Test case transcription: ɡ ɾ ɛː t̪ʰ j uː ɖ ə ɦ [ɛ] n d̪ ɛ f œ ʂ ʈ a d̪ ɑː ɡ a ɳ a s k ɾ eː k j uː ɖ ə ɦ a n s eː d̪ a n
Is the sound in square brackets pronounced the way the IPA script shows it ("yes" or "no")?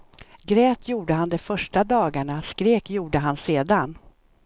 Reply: no